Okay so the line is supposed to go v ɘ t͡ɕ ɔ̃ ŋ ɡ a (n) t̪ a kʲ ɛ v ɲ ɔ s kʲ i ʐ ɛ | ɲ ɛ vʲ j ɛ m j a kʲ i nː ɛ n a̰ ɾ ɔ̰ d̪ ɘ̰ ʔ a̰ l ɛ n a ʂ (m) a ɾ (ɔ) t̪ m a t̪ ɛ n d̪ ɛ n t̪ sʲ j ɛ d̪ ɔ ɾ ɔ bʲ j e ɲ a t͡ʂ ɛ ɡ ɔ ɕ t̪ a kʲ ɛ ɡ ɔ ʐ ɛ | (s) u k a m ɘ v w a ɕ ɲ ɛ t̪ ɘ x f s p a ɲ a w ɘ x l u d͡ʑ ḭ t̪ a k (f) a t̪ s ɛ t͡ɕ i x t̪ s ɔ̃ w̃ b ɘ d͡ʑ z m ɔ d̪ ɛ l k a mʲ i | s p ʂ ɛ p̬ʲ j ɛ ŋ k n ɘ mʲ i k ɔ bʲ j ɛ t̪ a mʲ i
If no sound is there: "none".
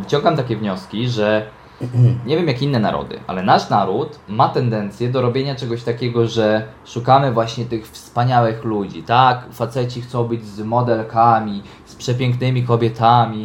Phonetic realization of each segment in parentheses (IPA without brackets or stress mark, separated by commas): m, n, u, ʂ, f